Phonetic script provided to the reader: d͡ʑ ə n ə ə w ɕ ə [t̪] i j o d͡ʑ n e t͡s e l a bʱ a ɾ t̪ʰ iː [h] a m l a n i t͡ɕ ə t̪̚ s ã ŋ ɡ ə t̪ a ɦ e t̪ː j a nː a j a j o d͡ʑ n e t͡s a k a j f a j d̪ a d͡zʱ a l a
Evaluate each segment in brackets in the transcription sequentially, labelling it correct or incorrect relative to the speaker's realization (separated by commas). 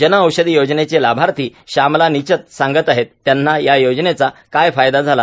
incorrect, incorrect